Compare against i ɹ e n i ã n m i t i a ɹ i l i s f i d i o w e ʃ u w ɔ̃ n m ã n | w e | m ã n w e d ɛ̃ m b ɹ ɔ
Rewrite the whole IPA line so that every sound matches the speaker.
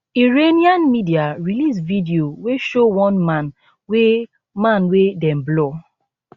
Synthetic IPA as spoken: i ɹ e n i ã n m i d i a ɹ i l i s v i d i o w e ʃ o w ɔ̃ n m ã n | w e | m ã n w e d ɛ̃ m b l ɔ